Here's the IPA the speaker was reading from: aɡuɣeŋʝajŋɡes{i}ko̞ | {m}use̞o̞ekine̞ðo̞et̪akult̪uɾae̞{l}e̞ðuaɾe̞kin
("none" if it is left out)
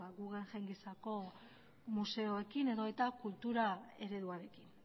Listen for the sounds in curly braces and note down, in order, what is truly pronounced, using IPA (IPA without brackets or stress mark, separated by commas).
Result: a, m, ɾ